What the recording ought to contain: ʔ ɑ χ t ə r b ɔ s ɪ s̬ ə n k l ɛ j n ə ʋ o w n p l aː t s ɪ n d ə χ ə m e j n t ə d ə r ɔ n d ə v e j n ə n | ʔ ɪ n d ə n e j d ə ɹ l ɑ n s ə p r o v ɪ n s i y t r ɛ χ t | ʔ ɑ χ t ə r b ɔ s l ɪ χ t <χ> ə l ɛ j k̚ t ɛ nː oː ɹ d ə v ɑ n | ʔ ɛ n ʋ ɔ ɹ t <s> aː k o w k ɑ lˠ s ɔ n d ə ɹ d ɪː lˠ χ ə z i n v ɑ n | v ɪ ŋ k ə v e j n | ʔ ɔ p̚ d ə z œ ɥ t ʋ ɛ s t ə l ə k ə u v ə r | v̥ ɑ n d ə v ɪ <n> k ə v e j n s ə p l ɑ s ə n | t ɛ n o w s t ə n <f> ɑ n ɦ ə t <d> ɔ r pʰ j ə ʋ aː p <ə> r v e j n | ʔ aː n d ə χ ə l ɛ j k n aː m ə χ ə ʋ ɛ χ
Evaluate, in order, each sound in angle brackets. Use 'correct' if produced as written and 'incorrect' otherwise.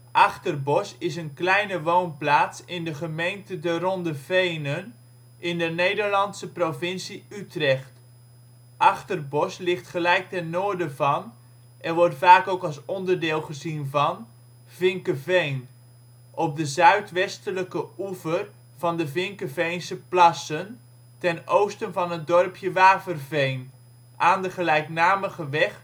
correct, incorrect, incorrect, incorrect, correct, correct

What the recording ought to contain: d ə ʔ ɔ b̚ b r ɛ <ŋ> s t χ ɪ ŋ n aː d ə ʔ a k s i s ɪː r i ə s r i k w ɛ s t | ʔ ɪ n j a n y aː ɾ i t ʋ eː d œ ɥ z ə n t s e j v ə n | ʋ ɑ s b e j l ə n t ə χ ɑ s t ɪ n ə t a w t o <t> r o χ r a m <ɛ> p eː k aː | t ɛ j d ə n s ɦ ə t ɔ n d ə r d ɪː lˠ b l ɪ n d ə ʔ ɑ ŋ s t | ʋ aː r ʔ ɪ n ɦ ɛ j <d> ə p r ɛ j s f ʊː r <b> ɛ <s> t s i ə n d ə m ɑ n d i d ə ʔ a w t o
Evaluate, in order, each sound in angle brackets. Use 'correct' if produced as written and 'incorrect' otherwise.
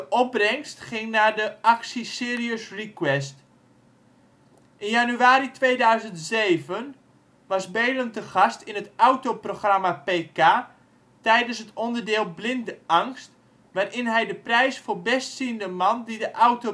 correct, incorrect, incorrect, correct, correct, correct

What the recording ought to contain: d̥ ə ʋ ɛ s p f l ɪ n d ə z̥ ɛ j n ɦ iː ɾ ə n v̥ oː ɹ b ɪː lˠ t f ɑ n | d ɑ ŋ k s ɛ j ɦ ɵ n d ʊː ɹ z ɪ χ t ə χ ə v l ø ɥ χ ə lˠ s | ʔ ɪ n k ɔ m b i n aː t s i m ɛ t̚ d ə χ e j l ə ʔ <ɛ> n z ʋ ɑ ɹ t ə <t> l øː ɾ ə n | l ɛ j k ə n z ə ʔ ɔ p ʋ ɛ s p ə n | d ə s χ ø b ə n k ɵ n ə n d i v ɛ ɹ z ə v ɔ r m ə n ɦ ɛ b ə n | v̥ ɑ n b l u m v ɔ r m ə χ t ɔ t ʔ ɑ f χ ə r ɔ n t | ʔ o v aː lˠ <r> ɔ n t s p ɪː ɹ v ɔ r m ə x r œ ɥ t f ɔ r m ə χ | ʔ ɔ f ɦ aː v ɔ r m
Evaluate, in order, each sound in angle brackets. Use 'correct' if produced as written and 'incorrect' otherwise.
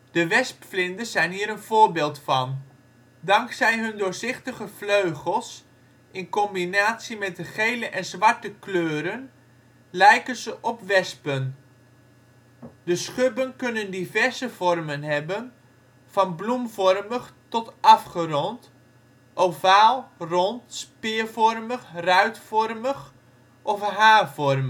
correct, incorrect, correct

